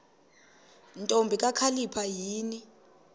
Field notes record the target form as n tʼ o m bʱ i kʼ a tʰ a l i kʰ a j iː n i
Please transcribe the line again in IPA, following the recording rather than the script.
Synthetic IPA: n tʼ o m bʱ i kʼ a kʰ a l i pʰ a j iː n i